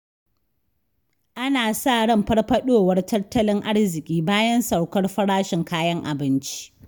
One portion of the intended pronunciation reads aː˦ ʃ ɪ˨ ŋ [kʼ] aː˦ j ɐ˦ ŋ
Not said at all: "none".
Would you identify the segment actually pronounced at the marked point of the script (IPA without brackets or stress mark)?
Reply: k